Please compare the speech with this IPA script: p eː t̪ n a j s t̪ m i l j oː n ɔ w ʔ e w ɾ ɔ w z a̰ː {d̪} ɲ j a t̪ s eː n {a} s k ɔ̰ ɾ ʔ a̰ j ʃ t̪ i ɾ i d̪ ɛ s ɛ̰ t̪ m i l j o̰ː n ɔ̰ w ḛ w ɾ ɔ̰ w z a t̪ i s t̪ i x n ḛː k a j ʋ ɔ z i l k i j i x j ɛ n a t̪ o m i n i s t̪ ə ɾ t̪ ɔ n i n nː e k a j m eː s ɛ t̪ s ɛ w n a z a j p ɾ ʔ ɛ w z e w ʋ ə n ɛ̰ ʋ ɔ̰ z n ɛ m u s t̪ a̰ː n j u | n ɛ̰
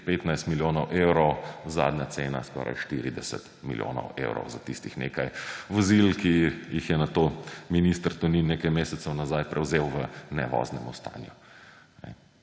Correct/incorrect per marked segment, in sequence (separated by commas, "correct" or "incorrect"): correct, correct